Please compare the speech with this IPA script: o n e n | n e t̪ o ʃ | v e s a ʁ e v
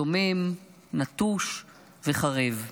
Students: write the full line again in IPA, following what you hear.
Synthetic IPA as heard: o m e m | n a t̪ u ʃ | v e χ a ʁ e v